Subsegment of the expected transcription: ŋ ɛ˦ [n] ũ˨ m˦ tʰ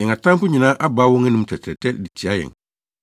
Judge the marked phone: correct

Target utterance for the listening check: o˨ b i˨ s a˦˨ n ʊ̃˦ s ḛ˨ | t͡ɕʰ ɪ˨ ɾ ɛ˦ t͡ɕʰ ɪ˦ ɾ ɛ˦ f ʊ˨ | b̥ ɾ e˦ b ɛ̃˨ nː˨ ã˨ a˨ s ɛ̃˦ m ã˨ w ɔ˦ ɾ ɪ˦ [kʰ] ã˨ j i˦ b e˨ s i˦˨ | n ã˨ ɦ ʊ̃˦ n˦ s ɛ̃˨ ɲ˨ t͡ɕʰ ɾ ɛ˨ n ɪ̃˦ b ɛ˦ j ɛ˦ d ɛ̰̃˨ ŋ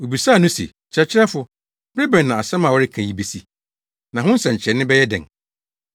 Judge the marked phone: correct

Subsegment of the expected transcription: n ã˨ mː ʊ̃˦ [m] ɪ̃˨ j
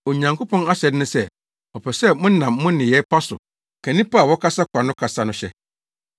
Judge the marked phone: incorrect: n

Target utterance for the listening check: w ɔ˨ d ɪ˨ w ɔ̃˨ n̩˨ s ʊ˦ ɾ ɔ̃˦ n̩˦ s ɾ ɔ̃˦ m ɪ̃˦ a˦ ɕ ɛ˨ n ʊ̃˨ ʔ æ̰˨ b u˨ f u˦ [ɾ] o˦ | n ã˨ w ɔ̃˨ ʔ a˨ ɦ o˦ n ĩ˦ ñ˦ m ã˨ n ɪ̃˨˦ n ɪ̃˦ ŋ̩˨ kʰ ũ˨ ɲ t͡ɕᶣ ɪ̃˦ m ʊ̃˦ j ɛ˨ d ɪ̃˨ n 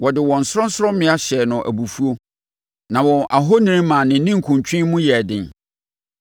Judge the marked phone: incorrect: none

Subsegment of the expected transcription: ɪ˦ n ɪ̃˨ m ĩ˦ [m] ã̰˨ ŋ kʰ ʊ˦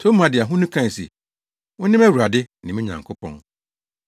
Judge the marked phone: incorrect: ɲ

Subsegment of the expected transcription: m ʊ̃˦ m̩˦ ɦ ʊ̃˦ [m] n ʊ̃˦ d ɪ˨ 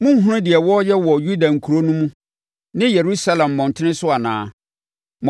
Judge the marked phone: incorrect: none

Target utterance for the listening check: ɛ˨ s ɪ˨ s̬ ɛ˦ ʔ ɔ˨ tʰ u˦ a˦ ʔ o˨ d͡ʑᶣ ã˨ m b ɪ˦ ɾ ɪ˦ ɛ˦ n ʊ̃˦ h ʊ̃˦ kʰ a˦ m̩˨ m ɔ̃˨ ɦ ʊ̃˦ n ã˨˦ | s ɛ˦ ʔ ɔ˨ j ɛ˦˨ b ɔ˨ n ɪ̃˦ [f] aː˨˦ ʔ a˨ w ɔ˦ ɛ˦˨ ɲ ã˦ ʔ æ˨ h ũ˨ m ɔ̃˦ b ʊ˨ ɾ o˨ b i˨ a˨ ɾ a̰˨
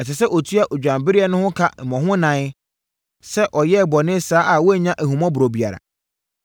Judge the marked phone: incorrect: s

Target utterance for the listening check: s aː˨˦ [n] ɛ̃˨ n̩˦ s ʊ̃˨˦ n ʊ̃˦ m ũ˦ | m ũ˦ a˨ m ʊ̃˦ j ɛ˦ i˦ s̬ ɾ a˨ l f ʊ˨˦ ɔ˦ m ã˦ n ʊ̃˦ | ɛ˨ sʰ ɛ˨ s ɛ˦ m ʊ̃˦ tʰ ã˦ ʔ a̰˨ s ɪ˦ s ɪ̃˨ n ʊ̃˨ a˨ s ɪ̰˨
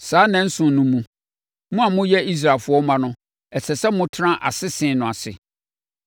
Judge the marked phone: correct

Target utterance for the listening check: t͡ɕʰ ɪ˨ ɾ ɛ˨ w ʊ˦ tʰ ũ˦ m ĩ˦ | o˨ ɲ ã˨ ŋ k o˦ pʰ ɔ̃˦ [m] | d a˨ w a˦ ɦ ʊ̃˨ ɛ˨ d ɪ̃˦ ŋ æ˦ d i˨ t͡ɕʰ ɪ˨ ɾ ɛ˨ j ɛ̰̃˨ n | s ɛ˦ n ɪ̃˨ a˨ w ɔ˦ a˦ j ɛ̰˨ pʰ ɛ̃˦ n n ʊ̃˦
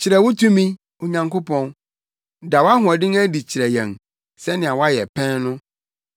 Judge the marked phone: incorrect: n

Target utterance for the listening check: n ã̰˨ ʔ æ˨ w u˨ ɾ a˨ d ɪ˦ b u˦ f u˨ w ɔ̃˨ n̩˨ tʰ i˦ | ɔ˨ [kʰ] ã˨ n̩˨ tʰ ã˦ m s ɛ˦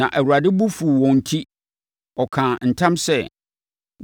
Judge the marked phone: correct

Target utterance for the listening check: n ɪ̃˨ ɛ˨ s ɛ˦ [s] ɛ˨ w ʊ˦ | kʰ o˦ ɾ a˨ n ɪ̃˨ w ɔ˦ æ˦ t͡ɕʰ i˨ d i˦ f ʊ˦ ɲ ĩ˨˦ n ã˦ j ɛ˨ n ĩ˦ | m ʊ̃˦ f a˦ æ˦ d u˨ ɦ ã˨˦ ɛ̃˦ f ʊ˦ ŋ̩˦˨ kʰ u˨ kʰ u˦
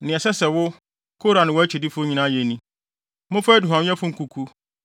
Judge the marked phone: correct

